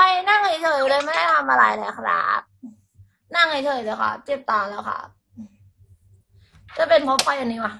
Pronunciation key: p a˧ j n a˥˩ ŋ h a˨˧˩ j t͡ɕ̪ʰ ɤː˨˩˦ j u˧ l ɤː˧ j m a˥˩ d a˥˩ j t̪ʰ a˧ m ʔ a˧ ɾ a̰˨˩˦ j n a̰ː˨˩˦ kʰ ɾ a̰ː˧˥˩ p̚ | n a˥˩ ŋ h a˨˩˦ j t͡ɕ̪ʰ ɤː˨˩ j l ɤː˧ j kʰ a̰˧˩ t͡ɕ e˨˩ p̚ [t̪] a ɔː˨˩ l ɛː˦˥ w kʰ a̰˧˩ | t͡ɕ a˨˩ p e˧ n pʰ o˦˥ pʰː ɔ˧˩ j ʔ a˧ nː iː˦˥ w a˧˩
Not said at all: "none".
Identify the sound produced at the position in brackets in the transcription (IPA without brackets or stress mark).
t̪